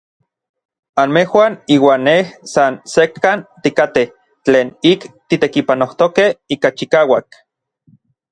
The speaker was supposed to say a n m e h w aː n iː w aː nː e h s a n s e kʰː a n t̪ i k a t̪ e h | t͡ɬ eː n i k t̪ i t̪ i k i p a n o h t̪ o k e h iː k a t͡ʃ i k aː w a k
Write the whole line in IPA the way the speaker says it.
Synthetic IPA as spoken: a n m e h w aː n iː w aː nː e h s a n s e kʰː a n t̪ i k a t̪ e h | t͡ɬ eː n i k t̪ i t̪ e k i p a n o h t̪ o k e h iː k a t͡ʃ i k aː w a k